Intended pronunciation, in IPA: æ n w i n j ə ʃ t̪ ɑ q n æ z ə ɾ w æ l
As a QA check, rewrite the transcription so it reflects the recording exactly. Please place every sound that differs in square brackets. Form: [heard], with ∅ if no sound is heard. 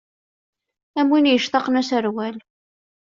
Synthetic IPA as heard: æ [m] w i n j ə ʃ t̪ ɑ q n æ [s] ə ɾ w æ l